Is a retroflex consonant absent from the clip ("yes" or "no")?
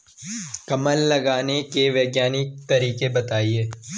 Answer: yes